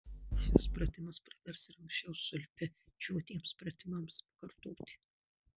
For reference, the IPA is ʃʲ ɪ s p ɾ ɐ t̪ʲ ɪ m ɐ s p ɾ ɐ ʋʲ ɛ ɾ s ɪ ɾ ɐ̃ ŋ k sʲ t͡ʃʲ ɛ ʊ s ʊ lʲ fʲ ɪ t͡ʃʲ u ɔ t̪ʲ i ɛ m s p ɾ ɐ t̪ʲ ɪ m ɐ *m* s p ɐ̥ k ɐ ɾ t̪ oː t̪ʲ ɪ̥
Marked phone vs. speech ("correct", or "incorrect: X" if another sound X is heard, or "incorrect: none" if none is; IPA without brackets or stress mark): correct